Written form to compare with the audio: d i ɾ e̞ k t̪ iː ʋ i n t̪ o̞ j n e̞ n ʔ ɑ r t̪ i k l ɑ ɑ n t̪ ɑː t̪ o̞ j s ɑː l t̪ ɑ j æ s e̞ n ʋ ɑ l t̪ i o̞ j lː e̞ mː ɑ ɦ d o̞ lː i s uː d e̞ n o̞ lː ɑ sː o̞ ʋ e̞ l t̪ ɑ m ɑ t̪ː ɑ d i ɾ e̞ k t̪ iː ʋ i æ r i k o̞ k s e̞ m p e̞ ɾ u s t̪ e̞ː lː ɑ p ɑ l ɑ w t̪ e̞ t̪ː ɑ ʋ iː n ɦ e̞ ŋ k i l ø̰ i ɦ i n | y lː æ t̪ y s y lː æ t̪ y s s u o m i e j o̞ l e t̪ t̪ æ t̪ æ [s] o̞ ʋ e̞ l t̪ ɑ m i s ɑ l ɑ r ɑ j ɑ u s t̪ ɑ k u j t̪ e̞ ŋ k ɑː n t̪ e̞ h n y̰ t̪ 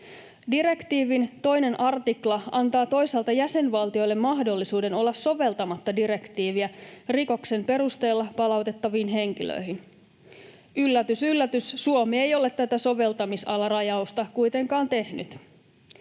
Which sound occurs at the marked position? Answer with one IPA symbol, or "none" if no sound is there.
s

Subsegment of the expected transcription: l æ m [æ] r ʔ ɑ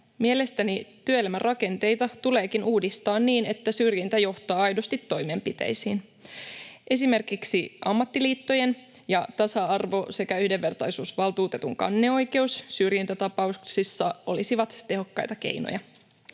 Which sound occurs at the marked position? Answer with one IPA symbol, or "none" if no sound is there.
æ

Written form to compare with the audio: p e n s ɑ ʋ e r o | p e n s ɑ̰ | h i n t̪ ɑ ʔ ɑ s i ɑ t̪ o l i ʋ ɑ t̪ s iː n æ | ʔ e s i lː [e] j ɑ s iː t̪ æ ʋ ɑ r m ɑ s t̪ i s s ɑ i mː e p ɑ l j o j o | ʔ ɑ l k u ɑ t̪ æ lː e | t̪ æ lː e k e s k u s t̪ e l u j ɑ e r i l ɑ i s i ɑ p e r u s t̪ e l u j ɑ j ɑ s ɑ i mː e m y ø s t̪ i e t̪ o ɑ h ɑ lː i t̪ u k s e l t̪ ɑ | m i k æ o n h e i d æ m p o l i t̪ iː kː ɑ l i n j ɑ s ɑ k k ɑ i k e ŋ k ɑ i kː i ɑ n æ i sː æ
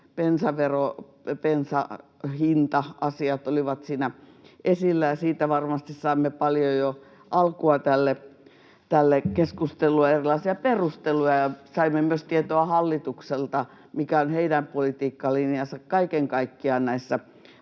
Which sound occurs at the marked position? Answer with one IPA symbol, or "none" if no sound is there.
æ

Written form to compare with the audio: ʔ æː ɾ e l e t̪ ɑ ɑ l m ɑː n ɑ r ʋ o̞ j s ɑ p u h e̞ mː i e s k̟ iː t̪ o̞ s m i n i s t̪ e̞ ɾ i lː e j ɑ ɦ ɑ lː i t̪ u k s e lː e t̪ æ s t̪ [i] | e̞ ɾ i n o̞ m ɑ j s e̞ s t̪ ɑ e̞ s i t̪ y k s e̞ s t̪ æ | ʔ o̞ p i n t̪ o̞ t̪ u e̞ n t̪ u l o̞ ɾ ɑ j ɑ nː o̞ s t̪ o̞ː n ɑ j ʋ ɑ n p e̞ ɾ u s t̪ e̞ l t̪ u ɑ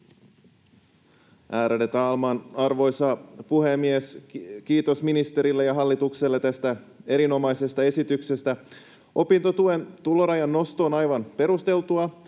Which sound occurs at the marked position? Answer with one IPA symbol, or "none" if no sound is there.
æ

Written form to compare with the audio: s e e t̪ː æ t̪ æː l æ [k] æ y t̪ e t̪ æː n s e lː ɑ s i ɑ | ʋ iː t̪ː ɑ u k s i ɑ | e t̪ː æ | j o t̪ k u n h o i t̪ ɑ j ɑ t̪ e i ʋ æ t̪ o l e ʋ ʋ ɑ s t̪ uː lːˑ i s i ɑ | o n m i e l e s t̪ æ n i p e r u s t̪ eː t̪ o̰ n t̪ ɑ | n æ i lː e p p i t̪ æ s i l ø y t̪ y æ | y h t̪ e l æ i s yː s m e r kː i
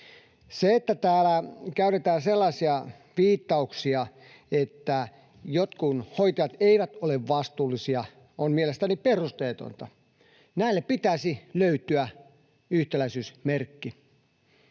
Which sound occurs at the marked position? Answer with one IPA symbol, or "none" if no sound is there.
k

